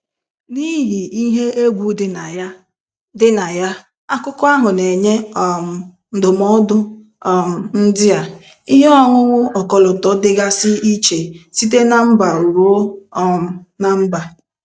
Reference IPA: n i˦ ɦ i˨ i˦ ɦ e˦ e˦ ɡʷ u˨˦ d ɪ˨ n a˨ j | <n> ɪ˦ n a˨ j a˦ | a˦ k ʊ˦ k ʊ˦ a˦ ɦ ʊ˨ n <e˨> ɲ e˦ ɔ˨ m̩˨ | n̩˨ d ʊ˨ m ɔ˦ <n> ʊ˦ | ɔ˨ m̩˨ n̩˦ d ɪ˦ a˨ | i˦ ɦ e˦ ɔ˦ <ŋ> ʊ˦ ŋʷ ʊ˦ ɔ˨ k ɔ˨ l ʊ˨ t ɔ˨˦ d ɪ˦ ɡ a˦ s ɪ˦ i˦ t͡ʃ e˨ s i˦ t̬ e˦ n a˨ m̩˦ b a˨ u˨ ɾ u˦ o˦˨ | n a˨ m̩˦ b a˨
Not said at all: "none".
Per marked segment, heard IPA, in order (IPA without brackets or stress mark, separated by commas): d, e˨, d, ŋ